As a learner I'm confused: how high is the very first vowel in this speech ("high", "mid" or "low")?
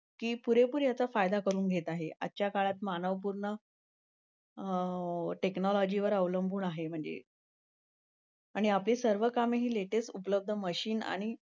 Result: high